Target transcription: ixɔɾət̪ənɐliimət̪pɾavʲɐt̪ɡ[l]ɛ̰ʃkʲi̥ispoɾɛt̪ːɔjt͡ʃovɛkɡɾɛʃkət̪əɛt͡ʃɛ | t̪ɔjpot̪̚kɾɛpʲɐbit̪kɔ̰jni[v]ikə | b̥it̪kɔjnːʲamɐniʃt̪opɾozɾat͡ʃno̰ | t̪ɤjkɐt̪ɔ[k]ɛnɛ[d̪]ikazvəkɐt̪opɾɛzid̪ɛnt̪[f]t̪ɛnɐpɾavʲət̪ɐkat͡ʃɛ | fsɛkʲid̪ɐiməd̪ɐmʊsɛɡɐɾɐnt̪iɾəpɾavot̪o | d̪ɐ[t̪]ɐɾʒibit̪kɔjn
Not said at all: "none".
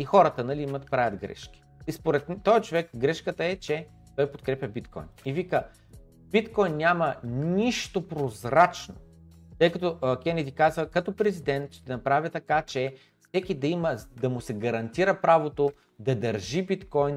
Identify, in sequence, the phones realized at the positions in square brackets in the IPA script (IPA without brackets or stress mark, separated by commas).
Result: ɾ, v, k, d̪, ʃ, d̪